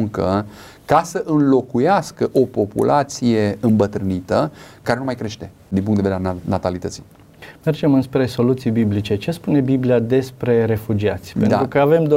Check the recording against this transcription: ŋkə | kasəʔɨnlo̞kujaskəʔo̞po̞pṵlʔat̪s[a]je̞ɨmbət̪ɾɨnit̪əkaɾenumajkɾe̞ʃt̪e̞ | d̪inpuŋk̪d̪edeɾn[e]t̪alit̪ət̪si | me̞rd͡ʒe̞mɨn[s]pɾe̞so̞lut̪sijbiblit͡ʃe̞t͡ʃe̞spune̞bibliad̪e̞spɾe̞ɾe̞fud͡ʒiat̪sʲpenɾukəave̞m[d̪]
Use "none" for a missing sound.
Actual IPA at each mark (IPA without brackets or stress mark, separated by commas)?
i, a, s, d̪